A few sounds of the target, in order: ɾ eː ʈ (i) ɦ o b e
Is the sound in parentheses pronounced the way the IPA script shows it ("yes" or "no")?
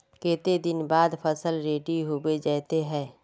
yes